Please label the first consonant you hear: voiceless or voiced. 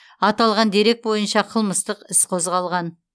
voiceless